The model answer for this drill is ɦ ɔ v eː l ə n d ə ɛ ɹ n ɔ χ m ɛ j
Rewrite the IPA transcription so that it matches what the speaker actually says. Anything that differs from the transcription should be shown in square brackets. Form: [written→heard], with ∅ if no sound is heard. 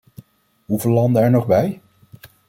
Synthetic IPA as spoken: ɦ [ɔ→u] v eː l [ə→ɑ] n d ə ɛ ɹ n ɔ χ [m→b] ɛ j